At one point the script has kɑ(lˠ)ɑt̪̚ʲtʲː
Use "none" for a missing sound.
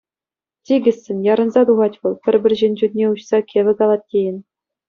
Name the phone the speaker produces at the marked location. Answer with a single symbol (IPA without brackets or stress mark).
lˠ